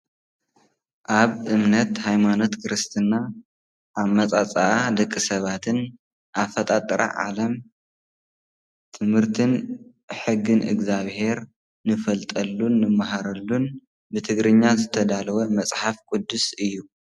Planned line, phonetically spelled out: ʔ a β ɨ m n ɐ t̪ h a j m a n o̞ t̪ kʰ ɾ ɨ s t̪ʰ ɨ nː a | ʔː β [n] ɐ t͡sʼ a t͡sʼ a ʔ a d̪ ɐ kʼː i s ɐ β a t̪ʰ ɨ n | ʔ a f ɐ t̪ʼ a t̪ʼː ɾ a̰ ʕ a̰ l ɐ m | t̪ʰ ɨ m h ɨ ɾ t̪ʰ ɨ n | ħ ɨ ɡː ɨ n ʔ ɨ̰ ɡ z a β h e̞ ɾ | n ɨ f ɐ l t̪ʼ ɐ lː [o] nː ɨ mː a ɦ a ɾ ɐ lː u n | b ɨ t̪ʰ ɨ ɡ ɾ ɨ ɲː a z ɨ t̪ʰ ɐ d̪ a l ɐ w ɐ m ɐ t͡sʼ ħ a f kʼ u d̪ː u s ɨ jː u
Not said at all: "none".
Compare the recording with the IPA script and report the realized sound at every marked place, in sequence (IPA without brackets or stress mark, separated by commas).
m, u